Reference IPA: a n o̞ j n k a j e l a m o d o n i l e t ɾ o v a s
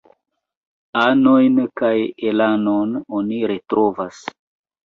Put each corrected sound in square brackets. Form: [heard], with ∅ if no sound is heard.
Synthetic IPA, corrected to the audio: a n o̞ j n k a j e l a [n] o [n] o n i [ɾ] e t ɾ o v a s